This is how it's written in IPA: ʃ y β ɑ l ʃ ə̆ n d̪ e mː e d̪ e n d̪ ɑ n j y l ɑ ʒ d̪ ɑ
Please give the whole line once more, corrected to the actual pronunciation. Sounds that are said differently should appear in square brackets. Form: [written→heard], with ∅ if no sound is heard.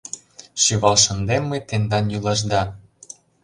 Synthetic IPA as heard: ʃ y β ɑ l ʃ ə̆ n d̪ e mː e [d̪→t̪] e n d̪ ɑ n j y l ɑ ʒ d̪ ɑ